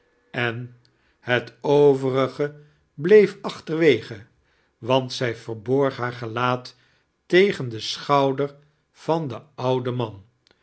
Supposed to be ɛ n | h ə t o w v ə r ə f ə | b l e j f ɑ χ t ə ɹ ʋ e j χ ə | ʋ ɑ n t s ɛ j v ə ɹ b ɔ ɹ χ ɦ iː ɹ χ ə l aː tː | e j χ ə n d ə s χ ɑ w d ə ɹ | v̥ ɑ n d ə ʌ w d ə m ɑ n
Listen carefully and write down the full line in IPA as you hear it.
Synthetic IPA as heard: ɛ n | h ə t o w v ə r ə χ ə | b l e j f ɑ χ t ə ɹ ʋ e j χ ə | ʋ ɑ n t s ɛ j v ə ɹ b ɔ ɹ χ ɦ aː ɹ χ ə l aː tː | e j χ ə n d ə s χ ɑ w d ə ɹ | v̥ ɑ n d ə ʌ w d ə m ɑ n